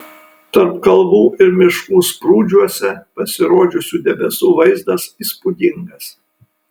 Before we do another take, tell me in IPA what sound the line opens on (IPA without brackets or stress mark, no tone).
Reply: t̪